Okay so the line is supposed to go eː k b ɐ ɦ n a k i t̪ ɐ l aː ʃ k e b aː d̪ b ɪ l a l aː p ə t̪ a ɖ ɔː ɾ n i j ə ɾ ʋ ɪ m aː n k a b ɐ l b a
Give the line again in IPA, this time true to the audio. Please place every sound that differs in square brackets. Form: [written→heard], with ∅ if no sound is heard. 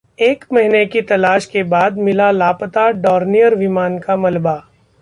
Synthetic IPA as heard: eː k [b→m] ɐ ɦ n [a→e] k i t̪ ɐ l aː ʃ k e b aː d̪ [b→m] ɪ l a l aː p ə t̪ a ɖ ɔː ɾ n i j ə ɾ ʋ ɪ m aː n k a [b→m] ɐ l b a